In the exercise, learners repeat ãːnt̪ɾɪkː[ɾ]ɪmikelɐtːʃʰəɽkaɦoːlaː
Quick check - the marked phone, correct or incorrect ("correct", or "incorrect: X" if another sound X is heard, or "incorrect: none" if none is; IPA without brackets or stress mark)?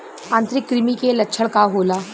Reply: correct